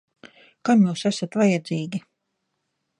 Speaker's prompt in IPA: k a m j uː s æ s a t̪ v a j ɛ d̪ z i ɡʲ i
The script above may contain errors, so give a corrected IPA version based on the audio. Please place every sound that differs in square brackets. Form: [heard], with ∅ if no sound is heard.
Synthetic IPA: k a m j uː s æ s a t̪ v a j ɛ d̪ z [iː] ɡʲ i